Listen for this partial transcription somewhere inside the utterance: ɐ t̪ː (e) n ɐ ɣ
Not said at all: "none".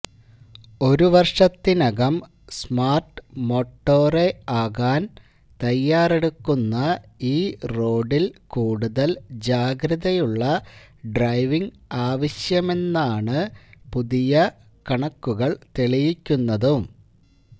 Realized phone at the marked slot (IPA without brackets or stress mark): i